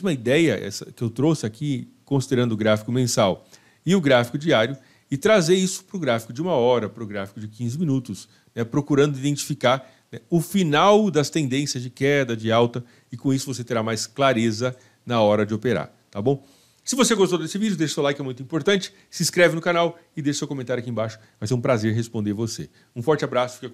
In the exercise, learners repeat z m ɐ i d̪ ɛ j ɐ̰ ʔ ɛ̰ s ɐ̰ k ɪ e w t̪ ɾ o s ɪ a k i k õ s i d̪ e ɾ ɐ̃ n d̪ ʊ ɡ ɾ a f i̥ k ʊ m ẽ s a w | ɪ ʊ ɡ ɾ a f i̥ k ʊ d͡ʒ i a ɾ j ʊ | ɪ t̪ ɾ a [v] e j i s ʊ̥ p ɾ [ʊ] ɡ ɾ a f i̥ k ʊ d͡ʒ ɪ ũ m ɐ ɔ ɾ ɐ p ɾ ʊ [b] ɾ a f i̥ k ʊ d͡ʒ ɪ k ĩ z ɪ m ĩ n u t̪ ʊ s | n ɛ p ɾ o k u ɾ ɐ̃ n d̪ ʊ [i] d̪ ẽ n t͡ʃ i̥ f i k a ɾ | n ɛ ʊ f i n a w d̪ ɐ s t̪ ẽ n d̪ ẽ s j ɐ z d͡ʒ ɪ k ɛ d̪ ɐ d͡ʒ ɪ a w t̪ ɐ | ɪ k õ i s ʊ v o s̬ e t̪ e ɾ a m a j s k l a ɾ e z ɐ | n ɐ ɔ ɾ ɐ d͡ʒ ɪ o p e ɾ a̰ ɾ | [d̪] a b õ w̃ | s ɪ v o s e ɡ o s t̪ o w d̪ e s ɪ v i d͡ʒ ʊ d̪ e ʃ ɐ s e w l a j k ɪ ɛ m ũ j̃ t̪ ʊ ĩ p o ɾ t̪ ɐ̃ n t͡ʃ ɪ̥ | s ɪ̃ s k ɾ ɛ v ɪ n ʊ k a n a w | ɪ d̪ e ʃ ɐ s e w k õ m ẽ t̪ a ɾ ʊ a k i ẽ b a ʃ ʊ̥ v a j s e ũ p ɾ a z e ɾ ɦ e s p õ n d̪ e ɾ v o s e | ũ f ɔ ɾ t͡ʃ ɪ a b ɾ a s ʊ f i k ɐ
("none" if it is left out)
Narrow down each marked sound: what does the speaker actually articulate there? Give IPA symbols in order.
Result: z, ʊ, ɡ, i, t̪

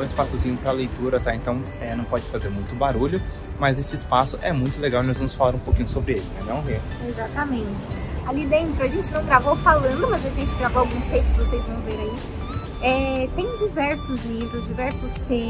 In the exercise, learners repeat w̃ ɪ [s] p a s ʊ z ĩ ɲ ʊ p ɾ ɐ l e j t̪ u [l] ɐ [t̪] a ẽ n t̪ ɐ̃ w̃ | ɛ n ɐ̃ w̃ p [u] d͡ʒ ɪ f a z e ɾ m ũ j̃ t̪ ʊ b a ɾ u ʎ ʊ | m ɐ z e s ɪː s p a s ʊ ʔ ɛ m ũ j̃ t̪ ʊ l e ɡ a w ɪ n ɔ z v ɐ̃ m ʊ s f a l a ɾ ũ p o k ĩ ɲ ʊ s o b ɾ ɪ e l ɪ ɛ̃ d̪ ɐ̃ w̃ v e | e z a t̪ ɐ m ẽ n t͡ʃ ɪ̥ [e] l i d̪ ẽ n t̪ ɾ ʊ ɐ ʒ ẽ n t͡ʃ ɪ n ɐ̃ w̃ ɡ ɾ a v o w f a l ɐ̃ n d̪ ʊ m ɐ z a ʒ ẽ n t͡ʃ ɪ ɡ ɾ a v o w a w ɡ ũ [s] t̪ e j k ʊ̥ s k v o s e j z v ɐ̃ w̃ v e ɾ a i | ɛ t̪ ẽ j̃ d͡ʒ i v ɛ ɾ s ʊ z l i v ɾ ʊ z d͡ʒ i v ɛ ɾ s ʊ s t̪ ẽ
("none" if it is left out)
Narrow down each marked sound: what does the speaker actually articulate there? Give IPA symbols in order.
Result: s, ɾ, t̪, ɔ, a, s

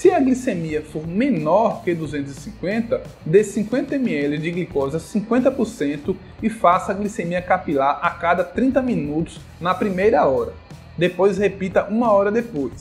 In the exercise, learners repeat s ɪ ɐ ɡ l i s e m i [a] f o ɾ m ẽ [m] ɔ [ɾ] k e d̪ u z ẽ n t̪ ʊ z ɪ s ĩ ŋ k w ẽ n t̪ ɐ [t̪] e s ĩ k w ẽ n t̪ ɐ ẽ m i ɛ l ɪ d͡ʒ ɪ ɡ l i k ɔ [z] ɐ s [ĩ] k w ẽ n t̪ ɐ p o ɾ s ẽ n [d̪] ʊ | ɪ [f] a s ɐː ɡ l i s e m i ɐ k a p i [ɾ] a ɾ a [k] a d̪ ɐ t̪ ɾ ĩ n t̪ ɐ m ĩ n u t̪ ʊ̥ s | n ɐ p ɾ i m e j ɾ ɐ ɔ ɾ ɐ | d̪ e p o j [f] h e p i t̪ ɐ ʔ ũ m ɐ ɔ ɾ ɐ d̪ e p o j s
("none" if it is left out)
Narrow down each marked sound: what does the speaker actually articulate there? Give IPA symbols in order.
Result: ɐ, n, ɾ, d̪, z, ĩ, t̪, f, l, k, s

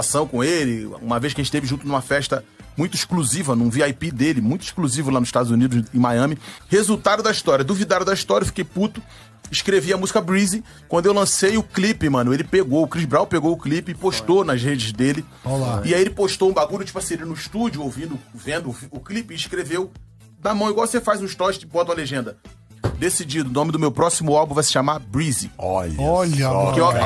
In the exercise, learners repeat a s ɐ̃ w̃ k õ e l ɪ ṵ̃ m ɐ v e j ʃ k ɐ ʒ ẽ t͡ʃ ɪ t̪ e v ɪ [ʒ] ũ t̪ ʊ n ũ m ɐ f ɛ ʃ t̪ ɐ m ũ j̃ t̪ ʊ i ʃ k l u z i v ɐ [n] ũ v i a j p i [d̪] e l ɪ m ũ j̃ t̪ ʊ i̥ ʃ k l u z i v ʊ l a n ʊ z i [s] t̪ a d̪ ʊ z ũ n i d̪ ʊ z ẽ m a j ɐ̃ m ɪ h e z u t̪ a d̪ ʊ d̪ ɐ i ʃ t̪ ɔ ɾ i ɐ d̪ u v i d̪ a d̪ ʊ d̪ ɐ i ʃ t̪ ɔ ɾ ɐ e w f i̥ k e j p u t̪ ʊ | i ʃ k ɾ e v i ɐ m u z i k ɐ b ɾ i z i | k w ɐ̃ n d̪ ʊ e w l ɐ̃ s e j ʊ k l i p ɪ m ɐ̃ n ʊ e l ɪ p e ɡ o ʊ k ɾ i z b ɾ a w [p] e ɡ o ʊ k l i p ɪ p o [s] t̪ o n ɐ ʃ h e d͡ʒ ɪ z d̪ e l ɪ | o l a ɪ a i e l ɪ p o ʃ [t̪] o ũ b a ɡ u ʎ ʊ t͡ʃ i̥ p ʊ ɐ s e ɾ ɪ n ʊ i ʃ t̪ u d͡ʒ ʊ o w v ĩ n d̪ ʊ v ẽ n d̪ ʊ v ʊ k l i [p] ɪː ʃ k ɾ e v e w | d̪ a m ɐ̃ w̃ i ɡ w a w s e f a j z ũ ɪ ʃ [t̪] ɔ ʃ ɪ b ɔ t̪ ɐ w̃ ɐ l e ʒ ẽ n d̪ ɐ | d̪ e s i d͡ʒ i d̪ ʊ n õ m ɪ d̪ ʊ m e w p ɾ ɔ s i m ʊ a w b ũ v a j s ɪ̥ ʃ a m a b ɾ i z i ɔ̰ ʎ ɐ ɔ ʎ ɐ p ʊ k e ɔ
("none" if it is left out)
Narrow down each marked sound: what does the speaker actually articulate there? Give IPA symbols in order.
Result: ʒ, n, d̪, ʃ, p, ʃ, t̪, p, t̪

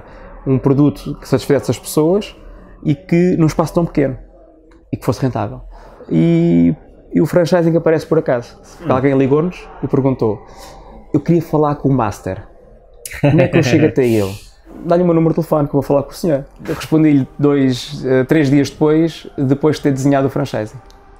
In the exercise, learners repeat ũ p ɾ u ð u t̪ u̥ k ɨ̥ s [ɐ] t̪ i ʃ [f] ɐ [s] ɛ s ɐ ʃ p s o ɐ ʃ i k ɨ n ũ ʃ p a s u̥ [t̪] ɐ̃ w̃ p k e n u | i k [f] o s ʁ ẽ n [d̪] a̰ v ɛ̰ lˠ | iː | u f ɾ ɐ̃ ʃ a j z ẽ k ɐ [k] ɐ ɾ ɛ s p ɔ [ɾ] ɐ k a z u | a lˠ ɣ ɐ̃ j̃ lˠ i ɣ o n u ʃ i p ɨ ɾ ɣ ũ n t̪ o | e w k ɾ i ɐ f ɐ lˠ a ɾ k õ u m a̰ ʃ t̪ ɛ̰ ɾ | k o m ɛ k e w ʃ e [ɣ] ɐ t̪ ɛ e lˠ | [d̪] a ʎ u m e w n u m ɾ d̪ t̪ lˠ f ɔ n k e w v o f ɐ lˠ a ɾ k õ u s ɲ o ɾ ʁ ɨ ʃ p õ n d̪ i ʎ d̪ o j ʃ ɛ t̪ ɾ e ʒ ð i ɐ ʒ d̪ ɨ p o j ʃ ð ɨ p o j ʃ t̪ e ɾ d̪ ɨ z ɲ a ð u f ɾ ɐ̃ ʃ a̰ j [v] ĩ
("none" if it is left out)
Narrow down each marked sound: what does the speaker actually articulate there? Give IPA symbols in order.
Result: ɐ, f, z, t̪, f, t̪, p, ɾ, ɣ, d̪, z

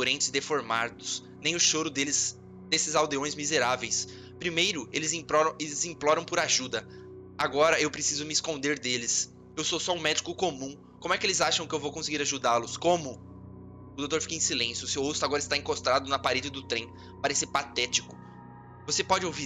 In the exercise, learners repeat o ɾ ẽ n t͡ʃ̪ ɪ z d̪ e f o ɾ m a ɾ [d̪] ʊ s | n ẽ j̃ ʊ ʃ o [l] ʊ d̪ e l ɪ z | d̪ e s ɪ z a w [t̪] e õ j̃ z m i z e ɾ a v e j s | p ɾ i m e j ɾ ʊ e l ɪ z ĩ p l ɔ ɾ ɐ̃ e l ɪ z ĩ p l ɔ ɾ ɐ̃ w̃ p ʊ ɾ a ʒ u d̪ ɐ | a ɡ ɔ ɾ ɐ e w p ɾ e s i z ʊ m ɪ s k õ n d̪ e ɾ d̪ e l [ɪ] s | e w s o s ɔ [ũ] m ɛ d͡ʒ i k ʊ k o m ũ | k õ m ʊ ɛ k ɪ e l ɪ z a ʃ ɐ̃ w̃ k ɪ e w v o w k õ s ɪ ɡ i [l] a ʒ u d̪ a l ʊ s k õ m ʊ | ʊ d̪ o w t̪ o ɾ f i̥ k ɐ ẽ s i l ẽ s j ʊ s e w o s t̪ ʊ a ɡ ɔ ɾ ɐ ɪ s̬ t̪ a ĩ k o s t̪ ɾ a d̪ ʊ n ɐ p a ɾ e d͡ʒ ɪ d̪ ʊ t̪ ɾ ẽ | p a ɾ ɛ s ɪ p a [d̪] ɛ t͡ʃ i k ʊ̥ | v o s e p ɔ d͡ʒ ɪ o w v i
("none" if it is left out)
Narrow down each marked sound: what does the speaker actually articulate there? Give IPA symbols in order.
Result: d̪, ɾ, d̪, ɪ, ũ, ɾ, t̪

